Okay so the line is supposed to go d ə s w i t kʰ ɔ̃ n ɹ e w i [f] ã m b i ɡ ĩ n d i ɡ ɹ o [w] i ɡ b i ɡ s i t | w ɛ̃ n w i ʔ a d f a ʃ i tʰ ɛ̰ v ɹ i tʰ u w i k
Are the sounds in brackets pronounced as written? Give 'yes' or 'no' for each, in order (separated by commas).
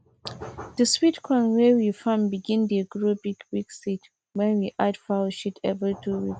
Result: yes, no